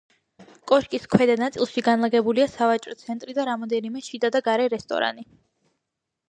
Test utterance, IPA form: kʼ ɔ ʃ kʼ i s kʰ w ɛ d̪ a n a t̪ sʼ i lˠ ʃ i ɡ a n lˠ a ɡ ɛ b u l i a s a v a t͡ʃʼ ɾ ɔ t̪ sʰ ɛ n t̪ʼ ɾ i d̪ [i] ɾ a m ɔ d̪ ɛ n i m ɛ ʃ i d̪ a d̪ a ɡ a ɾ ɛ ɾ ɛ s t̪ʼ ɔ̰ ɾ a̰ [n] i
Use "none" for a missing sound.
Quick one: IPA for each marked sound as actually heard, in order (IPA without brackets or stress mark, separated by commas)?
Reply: a, n